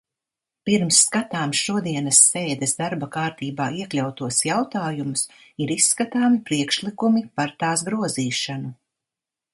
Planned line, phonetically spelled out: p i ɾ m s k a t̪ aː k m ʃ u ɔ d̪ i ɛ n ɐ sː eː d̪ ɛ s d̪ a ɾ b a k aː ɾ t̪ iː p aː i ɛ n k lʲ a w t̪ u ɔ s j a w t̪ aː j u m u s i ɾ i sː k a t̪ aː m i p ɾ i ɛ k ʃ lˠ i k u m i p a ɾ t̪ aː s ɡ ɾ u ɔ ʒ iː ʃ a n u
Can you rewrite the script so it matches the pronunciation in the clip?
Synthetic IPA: p i ɾ m sː k a t̪ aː m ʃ u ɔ d̪ i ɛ n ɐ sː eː d̪ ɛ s d̪ a ɾ b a k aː ɾ t̪ iː b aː i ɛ k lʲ a w t̪ u ɔ s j a w t̪ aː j u m u s i ɾ i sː k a t̪ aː m i p ɾ i ɛ k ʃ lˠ i k u m i p a ɾ t̪ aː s ɡ ɾ u ɔ z iː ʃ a n u